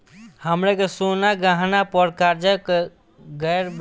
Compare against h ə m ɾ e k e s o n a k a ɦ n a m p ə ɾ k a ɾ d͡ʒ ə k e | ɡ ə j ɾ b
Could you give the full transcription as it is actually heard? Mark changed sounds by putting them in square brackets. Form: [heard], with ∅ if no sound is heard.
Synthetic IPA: h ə m ɾ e k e s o n a [ɡ] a ɦ n a [∅] p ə ɾ k a ɾ d͡ʒ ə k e | ɡ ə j ɾ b